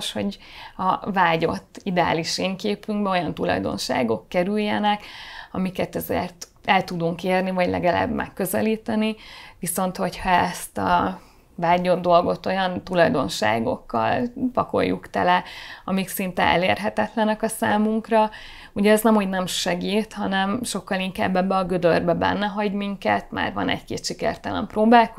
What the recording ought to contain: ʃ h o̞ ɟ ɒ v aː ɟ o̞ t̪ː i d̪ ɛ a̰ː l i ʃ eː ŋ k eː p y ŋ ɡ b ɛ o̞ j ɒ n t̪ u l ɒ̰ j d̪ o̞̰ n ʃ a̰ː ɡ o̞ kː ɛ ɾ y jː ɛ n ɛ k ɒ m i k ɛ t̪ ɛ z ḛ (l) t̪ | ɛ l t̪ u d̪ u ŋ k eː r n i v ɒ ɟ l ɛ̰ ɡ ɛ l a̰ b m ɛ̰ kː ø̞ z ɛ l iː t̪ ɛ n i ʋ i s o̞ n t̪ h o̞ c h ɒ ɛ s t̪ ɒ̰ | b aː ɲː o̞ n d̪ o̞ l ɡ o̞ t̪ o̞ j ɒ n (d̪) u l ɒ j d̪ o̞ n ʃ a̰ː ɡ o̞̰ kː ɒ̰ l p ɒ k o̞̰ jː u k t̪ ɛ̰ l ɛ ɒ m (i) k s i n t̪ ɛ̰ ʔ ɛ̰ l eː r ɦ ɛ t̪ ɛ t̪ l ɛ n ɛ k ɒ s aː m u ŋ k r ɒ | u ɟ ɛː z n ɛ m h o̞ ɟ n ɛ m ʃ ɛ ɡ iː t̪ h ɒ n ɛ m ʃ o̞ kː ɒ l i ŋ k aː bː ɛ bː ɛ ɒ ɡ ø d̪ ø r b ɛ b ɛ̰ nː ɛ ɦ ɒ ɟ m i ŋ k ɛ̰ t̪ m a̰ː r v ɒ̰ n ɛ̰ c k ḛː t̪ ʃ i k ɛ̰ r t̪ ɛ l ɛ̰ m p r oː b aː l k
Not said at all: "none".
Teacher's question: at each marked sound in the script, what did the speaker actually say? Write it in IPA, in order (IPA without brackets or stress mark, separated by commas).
r, t̪, i